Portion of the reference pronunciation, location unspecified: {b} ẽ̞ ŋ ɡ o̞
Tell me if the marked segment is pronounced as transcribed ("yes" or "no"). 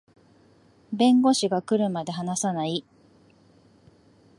yes